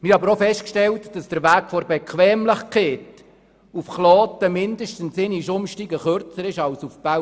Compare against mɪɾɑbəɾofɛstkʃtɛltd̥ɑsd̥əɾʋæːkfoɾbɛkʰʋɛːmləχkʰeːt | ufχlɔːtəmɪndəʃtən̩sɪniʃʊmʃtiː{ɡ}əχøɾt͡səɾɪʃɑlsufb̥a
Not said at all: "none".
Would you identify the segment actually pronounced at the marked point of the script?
ɡ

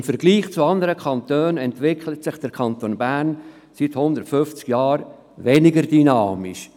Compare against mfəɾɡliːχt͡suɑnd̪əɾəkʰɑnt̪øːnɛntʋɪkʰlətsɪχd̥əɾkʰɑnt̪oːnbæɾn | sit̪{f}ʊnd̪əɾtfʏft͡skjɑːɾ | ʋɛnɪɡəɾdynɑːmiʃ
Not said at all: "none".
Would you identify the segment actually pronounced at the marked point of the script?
h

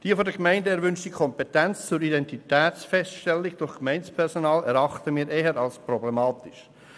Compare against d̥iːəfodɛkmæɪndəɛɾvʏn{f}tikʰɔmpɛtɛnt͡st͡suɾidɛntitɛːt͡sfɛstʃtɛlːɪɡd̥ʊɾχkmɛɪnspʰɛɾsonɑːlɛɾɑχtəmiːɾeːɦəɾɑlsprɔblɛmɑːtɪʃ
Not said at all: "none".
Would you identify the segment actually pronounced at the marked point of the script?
ʃ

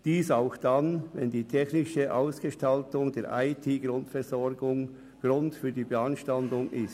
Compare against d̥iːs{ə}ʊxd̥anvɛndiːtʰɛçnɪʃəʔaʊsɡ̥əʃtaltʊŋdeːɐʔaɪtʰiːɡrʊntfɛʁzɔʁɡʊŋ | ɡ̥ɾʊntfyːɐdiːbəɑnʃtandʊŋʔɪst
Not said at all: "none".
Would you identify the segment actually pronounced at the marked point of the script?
a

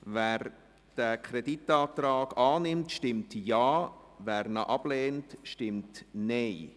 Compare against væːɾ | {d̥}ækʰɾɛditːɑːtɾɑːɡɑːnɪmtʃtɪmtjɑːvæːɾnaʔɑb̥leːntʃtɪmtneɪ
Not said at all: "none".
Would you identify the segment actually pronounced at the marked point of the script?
d̥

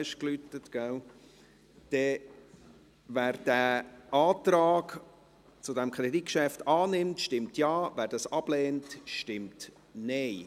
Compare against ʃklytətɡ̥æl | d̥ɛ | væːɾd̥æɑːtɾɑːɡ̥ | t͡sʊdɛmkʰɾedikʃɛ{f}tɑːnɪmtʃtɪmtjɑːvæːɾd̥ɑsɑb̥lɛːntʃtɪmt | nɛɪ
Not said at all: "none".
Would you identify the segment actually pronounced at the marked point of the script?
f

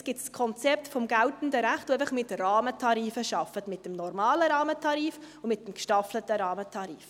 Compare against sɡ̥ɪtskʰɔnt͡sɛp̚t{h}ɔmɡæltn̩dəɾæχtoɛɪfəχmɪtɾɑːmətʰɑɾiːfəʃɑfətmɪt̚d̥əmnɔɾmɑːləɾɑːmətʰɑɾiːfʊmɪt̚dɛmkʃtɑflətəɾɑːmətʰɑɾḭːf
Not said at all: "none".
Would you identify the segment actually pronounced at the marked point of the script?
f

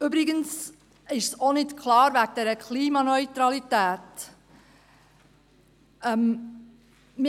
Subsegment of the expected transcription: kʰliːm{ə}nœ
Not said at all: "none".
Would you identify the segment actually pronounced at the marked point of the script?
ɑ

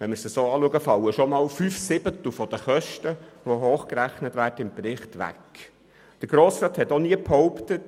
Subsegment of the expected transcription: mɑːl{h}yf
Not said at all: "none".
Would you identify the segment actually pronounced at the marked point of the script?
f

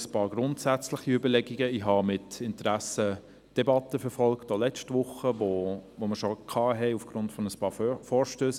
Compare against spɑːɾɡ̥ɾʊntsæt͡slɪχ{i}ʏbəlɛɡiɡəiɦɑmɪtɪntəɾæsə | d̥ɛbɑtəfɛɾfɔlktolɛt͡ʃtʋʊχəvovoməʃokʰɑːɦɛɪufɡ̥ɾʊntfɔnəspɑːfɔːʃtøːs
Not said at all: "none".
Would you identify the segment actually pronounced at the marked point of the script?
i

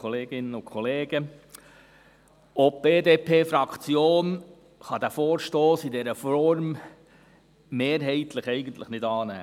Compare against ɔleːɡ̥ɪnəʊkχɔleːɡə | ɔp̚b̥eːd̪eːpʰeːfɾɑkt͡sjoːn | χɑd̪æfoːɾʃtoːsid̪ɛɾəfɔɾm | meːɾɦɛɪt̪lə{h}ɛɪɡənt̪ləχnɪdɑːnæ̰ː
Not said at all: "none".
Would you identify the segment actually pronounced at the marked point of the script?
χ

